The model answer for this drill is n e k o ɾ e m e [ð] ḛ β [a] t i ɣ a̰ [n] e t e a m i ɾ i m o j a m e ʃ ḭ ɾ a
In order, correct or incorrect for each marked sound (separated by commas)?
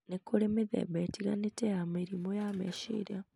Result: correct, incorrect, correct